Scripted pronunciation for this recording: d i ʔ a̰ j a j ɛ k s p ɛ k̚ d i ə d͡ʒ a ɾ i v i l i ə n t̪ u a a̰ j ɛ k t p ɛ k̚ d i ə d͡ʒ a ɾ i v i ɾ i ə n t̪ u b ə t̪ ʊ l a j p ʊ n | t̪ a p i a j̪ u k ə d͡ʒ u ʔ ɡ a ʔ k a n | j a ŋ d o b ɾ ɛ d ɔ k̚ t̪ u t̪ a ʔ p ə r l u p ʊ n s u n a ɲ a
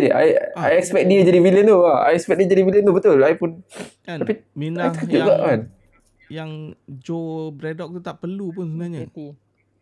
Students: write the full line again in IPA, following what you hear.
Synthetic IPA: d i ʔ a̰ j a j ɛ k s p ɛ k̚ d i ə d͡ʒ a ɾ i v i l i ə n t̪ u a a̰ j ɛ k s p ɛ k̚ d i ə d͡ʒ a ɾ i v i l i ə n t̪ u b ə t̪ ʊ l a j p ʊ n | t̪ a p i a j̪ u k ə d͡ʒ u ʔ ɡ a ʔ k a n | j a ŋ d͡ʒ o b ɾ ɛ d ɔ k̚ t̪ u t̪ a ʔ p ə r l u p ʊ n s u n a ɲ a